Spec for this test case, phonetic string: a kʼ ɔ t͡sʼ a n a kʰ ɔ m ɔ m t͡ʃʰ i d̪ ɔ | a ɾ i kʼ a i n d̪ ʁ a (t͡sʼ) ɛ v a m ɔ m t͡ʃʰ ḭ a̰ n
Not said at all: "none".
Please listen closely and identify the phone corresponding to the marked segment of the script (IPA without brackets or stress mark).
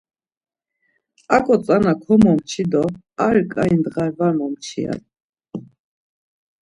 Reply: none